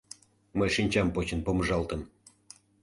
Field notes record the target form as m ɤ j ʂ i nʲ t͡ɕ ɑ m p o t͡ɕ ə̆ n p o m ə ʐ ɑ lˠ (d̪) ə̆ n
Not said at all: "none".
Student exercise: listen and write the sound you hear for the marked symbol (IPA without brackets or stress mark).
t̪